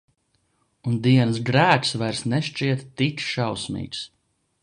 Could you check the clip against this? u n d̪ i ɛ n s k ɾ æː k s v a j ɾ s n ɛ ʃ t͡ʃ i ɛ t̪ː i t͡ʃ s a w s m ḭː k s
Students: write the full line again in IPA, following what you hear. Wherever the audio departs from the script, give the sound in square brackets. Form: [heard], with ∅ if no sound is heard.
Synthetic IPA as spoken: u n d̪ i ɛ n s [ɡ] ɾ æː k s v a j ɾ s n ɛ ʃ t͡ʃ i ɛ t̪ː i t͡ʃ [ʃ] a w s m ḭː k s